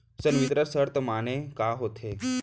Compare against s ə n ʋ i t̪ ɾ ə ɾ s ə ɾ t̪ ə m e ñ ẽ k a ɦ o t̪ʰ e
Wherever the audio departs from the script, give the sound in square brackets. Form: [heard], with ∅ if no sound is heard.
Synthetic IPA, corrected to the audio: s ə n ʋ i t̪ ɾ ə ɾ s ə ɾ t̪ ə m [a] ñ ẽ k a ɦ o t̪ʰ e